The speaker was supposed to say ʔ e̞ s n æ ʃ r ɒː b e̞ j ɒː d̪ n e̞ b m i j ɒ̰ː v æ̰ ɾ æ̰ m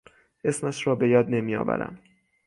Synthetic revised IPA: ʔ e̞ s m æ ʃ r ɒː b e̞ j ɒː d̪ n e̞ m i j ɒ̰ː v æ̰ ɾ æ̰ m